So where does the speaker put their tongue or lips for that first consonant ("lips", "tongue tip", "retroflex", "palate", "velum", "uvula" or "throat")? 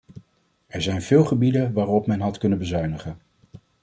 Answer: tongue tip